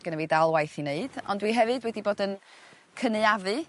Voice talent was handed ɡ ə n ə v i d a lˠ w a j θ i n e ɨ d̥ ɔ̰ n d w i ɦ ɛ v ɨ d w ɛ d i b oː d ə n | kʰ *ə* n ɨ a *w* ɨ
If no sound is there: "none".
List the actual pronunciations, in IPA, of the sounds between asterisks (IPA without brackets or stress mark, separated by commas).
ə, v